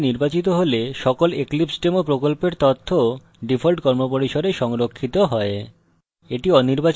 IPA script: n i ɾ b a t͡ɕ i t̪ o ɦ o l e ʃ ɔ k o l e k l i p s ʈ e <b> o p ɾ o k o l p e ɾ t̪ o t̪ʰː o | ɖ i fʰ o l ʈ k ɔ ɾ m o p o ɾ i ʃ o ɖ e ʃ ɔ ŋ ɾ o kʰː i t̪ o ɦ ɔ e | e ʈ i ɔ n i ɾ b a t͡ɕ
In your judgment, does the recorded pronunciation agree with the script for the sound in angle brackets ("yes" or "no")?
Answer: no